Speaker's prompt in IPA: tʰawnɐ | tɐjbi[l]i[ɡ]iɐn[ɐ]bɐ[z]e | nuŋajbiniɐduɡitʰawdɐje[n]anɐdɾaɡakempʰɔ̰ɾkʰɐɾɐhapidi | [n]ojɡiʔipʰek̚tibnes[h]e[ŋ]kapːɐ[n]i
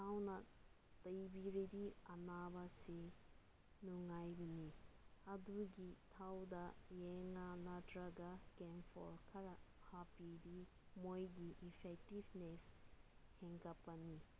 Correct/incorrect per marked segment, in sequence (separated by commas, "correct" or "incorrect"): incorrect, incorrect, incorrect, incorrect, incorrect, incorrect, correct, correct, correct